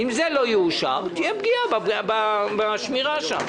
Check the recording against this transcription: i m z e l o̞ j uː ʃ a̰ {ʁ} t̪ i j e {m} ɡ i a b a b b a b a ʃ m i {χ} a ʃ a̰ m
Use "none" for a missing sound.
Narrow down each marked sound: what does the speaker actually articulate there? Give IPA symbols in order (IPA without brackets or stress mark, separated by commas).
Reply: ʁ, b, ʁ